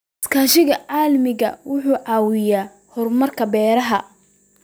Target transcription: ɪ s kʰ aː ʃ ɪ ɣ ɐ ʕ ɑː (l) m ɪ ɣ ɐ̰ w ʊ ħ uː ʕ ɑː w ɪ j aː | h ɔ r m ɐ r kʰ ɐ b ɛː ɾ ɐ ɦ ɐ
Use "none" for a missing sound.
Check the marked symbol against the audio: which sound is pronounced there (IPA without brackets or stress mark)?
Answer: l